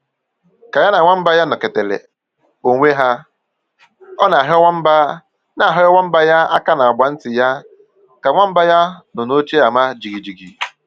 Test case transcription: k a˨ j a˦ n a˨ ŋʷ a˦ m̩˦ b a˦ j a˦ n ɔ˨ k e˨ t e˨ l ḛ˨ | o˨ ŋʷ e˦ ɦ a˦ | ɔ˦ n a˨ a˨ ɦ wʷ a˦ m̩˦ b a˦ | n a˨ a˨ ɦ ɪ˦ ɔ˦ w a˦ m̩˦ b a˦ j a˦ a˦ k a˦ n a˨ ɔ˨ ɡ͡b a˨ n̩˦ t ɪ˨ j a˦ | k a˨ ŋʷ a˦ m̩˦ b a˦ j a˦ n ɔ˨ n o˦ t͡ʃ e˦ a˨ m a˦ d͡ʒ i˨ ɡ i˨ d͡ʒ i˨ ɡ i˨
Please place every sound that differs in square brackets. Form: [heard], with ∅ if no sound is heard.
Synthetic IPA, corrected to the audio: k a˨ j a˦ n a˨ ŋʷ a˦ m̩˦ b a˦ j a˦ n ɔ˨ k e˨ t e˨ l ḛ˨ | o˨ ŋʷ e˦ ɦ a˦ | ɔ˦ n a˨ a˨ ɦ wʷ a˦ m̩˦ b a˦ | n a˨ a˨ ɦ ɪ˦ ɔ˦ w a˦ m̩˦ b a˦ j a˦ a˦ k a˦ n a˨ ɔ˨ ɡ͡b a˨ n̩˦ t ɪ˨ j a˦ | k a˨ ŋʷ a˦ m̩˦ b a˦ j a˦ n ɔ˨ n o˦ t͡ʃ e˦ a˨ m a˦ d͡ʒ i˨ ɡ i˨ d͡ʒ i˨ ɡ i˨